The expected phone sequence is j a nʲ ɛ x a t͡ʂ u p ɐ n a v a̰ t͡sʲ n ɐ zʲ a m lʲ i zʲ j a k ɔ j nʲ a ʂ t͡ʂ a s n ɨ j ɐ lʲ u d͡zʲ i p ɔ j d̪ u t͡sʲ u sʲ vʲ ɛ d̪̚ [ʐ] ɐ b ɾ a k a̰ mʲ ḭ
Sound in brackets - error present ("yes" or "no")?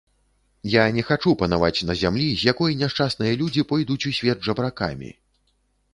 no